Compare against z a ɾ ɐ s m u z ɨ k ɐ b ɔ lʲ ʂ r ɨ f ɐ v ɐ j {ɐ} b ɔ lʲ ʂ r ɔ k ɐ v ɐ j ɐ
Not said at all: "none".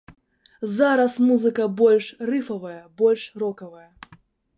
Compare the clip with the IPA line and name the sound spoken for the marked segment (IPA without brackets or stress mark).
ɐ